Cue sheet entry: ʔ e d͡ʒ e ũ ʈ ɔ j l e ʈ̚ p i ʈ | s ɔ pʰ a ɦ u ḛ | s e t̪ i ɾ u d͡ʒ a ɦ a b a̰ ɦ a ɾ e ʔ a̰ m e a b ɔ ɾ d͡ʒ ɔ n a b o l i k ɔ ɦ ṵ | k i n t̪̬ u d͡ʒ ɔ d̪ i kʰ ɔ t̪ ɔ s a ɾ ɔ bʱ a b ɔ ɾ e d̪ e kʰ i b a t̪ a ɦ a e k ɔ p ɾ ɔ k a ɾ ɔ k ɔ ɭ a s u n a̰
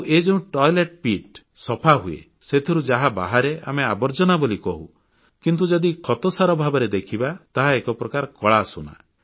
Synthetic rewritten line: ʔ e d͡ʒ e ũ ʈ ɔ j l e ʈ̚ p i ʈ | s ɔ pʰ a ɦ u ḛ | s e t̪ʰ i ɾ u d͡ʒ a ɦ a b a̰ ɦ a ɾ e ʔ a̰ m e a b ɔ ɾ d͡ʒ ɔ n a b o l i k ɔ ɦ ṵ | k i n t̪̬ u d͡ʒ ɔ d̪ i kʰ ɔ t̪ ɔ s a ɾ ɔ bʱ a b ɔ ɾ e d̪ e kʰ i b a t̪ a ɦ a e k ɔ p ɾ ɔ k a ɾ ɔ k ɔ ɭ a s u n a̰